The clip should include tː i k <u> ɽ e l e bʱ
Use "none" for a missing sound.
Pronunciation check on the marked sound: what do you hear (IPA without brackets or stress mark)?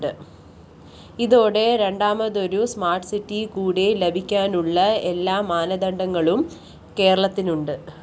uː